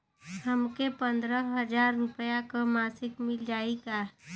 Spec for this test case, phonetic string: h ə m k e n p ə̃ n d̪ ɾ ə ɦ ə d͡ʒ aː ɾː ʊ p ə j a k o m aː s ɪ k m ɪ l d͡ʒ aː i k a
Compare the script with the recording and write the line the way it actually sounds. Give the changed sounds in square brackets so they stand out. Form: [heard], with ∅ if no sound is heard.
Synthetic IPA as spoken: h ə m k e [∅] p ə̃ n d̪ ɾ ə ɦ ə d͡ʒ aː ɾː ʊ p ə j a k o m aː s ɪ k m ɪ l d͡ʒ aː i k a